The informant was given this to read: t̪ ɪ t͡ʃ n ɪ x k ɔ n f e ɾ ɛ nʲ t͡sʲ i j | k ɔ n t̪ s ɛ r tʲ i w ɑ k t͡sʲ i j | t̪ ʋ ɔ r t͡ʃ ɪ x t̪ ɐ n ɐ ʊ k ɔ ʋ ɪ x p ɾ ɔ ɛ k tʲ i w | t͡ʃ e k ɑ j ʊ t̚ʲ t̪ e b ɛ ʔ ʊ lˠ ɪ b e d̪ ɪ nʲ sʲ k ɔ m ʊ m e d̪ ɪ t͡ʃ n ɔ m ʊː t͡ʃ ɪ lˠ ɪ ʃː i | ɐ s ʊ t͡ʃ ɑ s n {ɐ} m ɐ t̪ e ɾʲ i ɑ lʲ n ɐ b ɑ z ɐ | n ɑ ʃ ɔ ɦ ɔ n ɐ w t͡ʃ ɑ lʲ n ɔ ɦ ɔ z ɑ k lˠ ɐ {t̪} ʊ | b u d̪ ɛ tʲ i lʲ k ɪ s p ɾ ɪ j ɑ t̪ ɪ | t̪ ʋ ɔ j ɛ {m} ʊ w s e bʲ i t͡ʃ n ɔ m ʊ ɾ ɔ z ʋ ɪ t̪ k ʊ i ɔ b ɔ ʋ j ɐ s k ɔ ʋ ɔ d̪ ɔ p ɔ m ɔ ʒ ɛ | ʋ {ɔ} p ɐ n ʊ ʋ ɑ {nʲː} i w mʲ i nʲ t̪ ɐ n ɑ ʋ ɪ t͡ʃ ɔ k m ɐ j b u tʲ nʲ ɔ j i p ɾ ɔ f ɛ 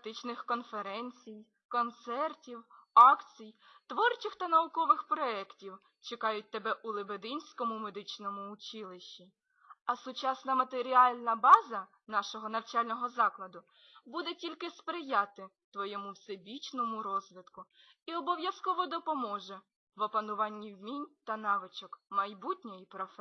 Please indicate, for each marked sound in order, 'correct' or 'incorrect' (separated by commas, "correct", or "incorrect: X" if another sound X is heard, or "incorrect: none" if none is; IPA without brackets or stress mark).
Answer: correct, incorrect: d̪, correct, correct, correct